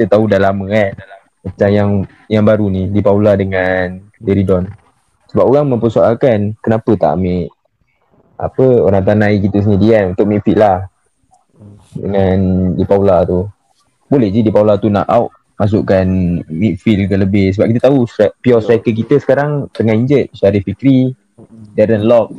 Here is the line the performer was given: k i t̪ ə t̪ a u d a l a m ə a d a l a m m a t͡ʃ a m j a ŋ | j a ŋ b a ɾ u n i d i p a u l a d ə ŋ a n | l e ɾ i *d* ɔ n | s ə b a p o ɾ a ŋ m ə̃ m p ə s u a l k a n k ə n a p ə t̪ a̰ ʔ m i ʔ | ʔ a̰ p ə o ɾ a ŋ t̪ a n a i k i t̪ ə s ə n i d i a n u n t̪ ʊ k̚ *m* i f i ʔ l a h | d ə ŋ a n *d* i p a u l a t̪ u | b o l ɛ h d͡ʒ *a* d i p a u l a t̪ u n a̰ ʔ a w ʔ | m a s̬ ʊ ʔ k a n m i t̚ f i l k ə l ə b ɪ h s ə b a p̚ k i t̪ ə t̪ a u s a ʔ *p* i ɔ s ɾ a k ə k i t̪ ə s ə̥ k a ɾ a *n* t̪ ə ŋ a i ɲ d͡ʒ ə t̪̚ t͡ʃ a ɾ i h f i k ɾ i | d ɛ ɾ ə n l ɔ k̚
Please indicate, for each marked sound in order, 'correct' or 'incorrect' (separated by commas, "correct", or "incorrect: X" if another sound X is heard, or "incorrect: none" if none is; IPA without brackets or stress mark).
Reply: correct, correct, correct, incorrect: i, correct, incorrect: ŋ